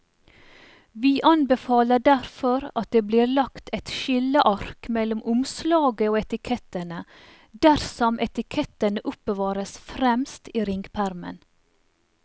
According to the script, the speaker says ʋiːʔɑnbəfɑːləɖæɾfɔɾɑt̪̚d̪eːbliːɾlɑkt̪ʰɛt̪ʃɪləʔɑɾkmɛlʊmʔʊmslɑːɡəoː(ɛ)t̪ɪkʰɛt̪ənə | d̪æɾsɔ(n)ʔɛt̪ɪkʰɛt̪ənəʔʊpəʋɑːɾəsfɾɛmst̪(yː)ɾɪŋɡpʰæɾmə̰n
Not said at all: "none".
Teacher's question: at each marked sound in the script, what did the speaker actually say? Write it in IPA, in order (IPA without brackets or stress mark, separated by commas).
ɛ, m, iː